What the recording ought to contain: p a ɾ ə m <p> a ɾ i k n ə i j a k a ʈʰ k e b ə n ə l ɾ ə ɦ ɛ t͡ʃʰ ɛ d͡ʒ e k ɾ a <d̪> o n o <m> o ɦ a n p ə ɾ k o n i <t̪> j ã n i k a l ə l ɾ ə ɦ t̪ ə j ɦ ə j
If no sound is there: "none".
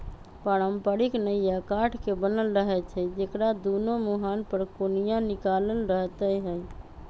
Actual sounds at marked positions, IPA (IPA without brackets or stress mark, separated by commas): p, d̪, m, none